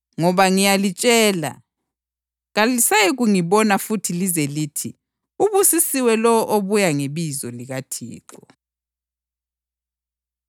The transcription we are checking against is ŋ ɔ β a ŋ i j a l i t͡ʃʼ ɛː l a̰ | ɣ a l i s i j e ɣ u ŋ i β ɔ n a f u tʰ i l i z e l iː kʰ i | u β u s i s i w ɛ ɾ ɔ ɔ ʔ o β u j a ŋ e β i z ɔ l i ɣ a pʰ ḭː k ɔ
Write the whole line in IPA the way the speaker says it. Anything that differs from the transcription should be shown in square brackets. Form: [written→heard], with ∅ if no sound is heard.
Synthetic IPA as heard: ŋ ɔ β a ŋ i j a l i t͡ʃʼ ɛː l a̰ | ɣ a l i s [i→a] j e ɣ u ŋ i β ɔ n a f u tʰ i l i z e l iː [kʰ→tʰ] i | u β u s i s i w ɛ [ɾ→l] ɔ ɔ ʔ o β u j a ŋ e β i z ɔ l i ɣ a [pʰ→tʰ] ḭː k ɔ